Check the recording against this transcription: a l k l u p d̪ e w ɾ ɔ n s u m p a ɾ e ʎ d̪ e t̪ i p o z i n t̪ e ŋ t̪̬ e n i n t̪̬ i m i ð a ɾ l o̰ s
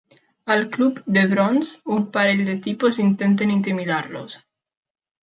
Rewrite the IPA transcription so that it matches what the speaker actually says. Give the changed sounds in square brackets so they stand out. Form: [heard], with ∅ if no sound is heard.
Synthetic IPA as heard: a l k l u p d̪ e [β] ɾ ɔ n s u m p a ɾ e ʎ d̪ e t̪ i p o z i n t̪ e [n] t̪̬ e n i n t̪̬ i m i ð a ɾ l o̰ s

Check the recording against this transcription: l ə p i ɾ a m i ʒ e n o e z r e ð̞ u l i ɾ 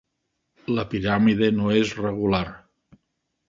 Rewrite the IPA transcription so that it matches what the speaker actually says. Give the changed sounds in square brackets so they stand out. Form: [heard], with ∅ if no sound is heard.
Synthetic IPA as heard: l ə p i ɾ a m i [ð] e n o e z r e [ɣ̞] u l [a] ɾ

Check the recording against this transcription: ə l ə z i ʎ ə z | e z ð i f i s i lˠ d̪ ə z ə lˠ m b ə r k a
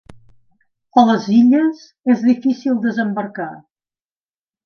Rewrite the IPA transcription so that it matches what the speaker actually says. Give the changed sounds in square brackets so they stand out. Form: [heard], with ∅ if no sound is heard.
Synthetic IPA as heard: ə l ə z i ʎ ə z | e z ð i f i s i lˠ d̪ ə z ə [∅] m b ə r k a

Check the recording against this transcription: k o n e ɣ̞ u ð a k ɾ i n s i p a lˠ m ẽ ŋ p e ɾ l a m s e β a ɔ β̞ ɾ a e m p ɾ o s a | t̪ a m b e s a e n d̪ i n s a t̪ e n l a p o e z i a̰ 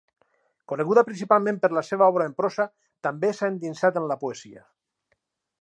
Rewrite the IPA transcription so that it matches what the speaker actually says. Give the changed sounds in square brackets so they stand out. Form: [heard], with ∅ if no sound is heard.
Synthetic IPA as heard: k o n e ɣ̞ u ð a [p] ɾ i n s i p a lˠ m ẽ [m] p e ɾ l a [∅] s e β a ɔ β̞ ɾ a e m p ɾ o s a | t̪ a m b e s a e n d̪ i n s a t̪ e n l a p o e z i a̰

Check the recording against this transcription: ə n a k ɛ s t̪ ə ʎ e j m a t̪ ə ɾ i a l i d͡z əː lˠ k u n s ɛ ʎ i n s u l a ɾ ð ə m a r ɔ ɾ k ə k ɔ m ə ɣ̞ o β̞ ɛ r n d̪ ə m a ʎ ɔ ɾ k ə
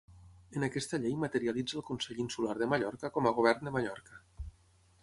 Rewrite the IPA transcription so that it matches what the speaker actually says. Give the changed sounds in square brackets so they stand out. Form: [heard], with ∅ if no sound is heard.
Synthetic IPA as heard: ə n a k ɛ s t̪ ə ʎ e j m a t̪ ə ɾ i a l i d͡z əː lˠ k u n s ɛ ʎ i n s u l a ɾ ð ə m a [ʎ] ɔ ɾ k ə k ɔ m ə ɣ̞ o β̞ ɛ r n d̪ ə m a ʎ ɔ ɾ k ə

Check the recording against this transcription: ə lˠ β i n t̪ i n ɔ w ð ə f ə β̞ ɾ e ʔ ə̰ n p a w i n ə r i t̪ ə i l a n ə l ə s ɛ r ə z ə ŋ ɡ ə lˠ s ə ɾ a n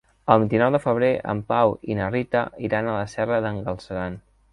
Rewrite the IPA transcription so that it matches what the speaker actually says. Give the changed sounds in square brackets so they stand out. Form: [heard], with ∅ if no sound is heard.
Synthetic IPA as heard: ə lˠ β i n t̪ i n ɔ w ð ə f ə β̞ ɾ e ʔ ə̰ [m] p a w i n ə r i t̪ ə i [ɾ] a n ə l ə s ɛ r ə [ð] ə ŋ ɡ ə lˠ s ə ɾ a n

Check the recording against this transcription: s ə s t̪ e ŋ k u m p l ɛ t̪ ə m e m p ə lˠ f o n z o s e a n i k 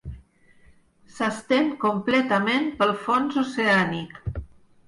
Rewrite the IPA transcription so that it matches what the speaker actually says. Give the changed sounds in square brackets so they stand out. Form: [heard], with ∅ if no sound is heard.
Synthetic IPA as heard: s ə s t̪ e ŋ k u m p l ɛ t̪ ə m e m p ə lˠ f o n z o s e a n i k

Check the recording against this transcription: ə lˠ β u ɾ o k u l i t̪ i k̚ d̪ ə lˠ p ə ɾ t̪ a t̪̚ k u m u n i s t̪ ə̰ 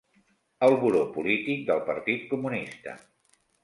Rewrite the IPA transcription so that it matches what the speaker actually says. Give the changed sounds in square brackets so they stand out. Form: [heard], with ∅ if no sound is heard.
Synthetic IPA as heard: ə lˠ β u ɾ o [p] u l i t̪ i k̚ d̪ ə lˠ p ə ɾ t̪ [i] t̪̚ k u m u n i s t̪ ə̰

